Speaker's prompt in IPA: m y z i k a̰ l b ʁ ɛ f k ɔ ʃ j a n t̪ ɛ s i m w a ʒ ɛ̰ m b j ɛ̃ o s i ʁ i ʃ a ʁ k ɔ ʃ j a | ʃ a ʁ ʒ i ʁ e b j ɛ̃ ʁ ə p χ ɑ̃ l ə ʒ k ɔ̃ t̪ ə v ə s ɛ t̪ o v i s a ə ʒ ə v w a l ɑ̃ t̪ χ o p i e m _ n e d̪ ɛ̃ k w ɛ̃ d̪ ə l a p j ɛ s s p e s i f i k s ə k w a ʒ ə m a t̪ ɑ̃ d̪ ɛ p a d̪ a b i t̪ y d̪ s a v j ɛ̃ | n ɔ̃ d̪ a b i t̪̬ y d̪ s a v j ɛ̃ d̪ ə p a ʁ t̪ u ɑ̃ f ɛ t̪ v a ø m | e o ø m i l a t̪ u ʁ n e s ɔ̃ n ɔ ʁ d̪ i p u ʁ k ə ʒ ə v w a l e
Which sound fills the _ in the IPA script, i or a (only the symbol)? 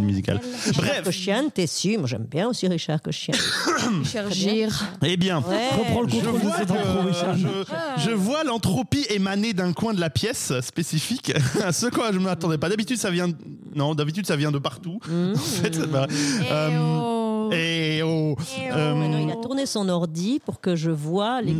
a